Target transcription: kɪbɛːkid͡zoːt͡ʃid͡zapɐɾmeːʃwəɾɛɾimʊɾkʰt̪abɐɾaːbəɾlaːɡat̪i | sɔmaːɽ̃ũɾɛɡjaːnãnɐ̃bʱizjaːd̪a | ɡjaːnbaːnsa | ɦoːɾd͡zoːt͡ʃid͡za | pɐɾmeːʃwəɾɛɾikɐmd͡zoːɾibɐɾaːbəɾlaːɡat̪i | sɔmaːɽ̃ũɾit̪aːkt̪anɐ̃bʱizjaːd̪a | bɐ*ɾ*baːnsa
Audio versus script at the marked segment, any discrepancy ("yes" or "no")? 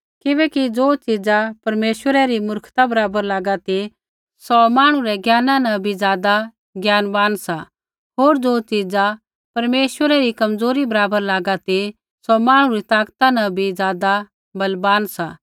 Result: yes